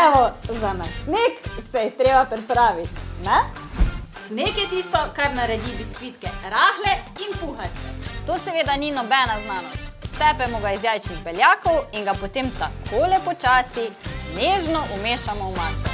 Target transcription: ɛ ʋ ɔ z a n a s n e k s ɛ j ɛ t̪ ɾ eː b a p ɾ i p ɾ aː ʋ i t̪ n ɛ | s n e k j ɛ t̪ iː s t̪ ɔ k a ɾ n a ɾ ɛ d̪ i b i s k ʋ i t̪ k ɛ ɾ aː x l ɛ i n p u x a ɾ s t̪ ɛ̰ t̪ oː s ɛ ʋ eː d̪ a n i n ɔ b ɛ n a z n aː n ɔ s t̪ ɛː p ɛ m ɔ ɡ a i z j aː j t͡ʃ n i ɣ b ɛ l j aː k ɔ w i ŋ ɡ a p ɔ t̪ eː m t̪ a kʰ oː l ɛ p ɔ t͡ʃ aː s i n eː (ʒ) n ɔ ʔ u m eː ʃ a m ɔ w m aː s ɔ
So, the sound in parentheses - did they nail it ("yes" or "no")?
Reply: yes